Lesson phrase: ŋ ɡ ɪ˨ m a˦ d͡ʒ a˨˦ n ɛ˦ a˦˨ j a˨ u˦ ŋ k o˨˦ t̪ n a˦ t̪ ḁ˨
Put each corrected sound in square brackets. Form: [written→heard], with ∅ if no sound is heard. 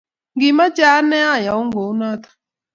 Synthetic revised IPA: ŋ ɡ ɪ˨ m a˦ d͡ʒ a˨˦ n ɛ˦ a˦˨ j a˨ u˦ ŋ [k→ɡ] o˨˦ [t̪→∅] n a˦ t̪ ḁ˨